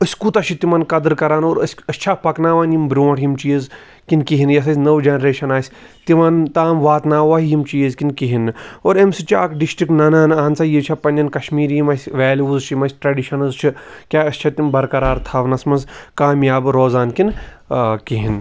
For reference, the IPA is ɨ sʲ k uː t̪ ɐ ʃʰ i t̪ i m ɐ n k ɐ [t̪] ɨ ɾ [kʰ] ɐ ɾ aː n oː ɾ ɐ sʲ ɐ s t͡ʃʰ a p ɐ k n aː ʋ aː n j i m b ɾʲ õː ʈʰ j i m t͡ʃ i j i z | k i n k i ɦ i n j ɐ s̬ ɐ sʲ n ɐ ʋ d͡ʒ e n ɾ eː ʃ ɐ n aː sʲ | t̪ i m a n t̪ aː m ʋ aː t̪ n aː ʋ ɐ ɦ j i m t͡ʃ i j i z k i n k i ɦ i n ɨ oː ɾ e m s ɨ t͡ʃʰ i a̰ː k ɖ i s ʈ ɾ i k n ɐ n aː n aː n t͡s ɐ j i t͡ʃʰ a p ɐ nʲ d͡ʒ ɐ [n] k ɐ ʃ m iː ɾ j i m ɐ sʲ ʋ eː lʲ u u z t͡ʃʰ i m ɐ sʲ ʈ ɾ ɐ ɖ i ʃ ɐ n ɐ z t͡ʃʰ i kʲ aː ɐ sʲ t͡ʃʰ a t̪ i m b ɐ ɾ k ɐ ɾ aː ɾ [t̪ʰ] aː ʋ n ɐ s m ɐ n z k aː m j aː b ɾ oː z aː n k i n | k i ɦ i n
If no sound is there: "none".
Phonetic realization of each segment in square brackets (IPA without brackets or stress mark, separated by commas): d̪, k, n, t̪ʰ